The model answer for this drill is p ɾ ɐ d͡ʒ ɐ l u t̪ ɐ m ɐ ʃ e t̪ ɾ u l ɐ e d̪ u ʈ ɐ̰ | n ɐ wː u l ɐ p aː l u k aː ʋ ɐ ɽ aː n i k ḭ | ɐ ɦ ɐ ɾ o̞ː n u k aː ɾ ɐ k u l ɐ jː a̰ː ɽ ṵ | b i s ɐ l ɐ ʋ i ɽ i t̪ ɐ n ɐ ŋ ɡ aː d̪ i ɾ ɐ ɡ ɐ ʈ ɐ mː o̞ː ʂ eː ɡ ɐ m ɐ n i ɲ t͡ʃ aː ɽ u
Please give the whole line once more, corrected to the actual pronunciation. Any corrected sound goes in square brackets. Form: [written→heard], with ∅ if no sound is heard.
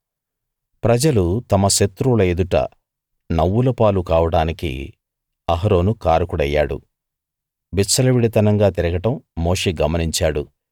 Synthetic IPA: p ɾ ɐ d͡ʒ ɐ l u t̪ ɐ m ɐ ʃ e t̪ ɾ u l ɐ e d̪ u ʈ ɐ̰ | n ɐ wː u l ɐ p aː l u k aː ʋ ɐ ɽ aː n i k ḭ | ɐ ɦ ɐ ɾ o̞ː n u k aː ɾ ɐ k u [l→ɽ] ɐ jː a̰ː ɽ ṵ | b i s ɐ l ɐ ʋ i ɽ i t̪ ɐ n ɐ ŋ ɡ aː [d̪→t̪] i ɾ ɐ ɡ ɐ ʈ ɐ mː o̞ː ʂ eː ɡ ɐ m ɐ n i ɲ t͡ʃ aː ɽ u

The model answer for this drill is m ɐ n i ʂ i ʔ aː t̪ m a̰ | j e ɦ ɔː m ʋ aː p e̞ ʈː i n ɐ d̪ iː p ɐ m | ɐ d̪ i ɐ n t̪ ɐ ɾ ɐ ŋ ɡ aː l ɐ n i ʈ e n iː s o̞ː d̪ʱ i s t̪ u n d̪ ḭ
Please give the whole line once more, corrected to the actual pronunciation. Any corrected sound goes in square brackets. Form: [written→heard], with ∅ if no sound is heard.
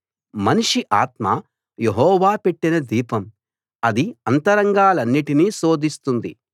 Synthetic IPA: m ɐ n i ʂ i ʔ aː t̪ m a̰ | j e ɦ ɔː [m→∅] ʋ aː p e̞ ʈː i n ɐ d̪ iː p ɐ m | ɐ d̪ i ɐ n t̪ ɐ ɾ ɐ ŋ ɡ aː l ɐ [n→nː] i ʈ [e→i] n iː s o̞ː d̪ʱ i s t̪ u n d̪ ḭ

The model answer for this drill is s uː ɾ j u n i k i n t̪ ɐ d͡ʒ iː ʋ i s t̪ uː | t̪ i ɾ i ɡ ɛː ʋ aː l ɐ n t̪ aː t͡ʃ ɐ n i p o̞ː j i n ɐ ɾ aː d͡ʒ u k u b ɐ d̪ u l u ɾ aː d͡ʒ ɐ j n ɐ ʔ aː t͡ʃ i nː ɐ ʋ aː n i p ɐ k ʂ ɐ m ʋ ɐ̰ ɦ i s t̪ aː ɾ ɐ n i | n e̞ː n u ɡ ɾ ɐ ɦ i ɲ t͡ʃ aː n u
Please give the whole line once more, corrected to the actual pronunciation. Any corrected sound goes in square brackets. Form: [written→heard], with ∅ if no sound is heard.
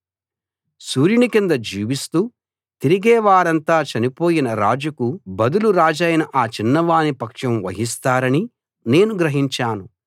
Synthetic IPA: s uː ɾ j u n i k i n [t̪→d̪] ɐ d͡ʒ iː ʋ i s t̪ uː | t̪ i ɾ i ɡ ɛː ʋ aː [l→ɾ] ɐ n t̪ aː t͡ʃ ɐ n i p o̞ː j i n ɐ ɾ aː d͡ʒ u k u b ɐ d̪ u l u ɾ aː d͡ʒ ɐ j n ɐ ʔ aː t͡ʃ i nː ɐ ʋ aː n i p ɐ k ʂ ɐ m ʋ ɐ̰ ɦ i s t̪ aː ɾ ɐ n i | n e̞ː n u ɡ ɾ ɐ ɦ i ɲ t͡ʃ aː n u

